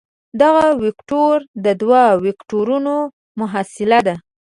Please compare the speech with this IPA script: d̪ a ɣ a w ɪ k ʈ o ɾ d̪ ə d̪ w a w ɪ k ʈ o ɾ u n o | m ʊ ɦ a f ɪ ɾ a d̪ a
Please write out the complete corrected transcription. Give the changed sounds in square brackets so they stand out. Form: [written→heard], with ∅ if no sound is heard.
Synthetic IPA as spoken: d̪ a ɣ a w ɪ k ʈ o ɾ d̪ ə d̪ w a w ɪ k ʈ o ɾ u n o | m ʊ ɦ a [f→s] ɪ [ɾ→l] a d̪ a